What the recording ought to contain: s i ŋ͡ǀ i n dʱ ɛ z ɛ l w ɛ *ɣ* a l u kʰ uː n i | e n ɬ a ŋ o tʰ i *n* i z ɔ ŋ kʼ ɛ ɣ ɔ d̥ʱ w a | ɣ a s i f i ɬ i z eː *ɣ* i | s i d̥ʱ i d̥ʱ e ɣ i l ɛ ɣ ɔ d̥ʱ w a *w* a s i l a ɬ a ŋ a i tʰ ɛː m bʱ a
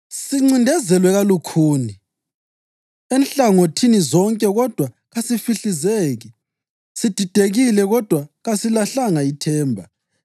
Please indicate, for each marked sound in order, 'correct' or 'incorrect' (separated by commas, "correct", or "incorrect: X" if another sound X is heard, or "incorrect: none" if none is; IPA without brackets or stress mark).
correct, correct, correct, incorrect: ɣ